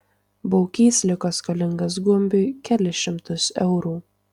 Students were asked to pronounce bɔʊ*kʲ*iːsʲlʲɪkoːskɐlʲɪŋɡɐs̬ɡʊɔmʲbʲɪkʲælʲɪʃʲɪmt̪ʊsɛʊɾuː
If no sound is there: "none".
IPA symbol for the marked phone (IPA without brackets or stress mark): kʲ